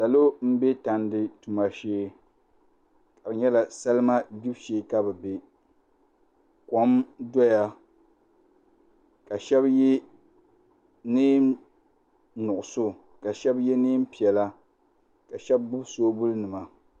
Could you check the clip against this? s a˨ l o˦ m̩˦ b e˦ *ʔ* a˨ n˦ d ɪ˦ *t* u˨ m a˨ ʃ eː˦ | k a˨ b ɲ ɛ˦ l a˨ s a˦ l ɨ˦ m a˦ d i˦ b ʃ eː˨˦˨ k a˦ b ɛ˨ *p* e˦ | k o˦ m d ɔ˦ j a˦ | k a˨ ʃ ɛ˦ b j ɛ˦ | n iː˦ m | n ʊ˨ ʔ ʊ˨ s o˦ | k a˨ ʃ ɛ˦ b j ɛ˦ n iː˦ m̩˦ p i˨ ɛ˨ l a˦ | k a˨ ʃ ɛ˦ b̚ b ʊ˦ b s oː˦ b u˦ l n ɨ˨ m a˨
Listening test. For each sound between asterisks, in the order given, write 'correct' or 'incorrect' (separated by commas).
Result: incorrect, correct, incorrect